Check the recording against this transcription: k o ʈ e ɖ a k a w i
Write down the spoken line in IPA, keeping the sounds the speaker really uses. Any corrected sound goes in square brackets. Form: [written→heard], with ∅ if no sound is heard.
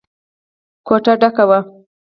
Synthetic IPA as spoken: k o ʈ [e→a] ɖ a k a w [i→a]